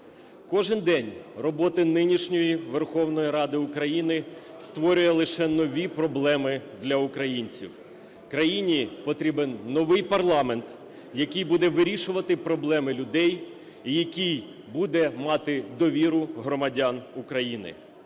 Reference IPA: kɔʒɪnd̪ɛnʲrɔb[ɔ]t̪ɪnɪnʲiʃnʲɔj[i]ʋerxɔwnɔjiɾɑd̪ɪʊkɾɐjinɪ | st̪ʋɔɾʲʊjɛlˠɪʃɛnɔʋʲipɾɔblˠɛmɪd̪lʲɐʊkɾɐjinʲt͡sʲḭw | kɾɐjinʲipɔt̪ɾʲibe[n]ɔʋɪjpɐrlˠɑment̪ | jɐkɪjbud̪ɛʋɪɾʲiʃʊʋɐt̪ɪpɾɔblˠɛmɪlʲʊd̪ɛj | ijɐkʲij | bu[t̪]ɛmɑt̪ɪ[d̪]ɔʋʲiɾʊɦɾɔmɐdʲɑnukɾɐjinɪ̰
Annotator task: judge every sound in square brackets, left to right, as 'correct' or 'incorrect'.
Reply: correct, correct, incorrect: nː, incorrect: d̪, correct

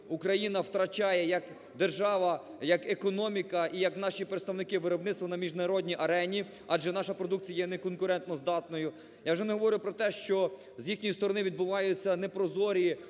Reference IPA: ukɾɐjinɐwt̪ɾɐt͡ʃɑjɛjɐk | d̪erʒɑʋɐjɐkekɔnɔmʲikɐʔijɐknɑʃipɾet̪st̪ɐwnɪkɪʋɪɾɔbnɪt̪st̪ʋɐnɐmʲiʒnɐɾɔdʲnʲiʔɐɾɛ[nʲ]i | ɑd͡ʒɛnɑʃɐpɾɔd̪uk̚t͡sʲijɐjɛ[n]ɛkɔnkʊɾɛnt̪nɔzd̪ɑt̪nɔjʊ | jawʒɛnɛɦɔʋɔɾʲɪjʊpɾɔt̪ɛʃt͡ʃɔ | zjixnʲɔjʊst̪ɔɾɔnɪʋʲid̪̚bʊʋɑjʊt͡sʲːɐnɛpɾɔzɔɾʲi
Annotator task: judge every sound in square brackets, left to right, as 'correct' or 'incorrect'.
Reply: correct, correct

